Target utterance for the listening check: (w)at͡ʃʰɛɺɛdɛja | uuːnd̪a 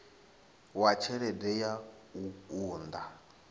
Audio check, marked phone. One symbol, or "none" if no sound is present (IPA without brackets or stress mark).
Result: w